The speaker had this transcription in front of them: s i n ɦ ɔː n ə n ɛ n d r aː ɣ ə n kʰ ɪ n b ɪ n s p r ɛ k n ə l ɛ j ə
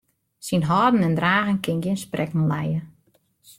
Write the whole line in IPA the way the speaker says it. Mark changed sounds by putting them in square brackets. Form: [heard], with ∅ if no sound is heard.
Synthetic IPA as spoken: s i n ɦ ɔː [d] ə n ɛ n d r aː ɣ ə n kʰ ɪ n [ɡ] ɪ n s p r ɛ k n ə l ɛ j ə